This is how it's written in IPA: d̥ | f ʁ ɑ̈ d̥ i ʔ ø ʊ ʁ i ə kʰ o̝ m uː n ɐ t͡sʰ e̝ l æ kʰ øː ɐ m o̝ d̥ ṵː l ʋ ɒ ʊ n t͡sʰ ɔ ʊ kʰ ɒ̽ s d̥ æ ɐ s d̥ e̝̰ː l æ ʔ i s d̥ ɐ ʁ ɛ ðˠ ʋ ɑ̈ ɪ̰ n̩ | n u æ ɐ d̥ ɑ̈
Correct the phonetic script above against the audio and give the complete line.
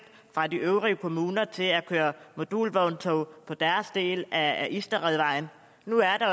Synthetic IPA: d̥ | f ʁ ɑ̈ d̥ i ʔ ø ʊ ʁ i ə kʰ o̝ m uː n ɐ t͡sʰ e̝ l æ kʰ øː ɐ m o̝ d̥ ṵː l ʋ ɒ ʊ n t͡sʰ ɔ ʊ pʰ ɒ̽ d̥ æ ɐ s d̥ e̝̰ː l æ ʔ i s d̥ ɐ ʁ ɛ ðˠ ʋ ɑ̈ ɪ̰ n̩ | n u æ ɐ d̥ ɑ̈